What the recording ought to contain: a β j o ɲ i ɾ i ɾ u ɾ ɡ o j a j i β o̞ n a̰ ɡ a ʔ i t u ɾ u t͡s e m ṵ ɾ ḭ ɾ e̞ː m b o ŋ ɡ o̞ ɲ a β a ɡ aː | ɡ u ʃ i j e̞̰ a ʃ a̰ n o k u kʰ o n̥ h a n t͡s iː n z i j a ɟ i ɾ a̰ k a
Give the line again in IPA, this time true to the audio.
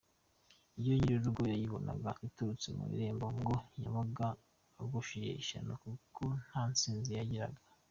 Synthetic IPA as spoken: i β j o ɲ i ɾ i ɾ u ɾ ɡ o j a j i β o̞ n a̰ ɡ a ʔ i t u ɾ u t͡s e m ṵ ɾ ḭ ɾ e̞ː m b o ŋ ɡ o̞ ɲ a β a ɡ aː | ɡ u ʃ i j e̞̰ i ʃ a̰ n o k u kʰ o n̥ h a n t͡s iː n z i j a ɟ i ɾ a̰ ɡ a